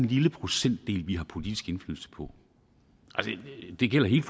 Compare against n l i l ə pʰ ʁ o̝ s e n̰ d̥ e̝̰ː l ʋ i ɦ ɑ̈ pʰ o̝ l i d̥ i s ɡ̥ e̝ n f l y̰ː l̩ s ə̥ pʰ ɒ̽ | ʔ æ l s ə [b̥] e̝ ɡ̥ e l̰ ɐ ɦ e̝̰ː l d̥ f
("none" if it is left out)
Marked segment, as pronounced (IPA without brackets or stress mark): d̥